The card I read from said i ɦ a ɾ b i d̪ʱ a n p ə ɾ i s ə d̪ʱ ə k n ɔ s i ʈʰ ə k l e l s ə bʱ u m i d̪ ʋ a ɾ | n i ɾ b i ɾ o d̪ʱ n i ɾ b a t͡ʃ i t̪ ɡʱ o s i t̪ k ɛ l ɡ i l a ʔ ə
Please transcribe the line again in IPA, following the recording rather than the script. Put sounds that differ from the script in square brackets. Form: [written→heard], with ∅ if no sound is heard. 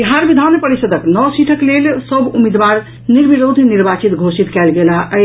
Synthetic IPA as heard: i ɦ a ɾ b i d̪ʱ a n p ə ɾ i s ə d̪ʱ ə k n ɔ s i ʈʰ ə k l e l s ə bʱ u m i d̪ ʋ a ɾ | n i ɾ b i ɾ o d̪ʱ n i ɾ b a t͡ʃ i t̪ ɡʱ o s i t̪ k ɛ l ɡ [i→e] l a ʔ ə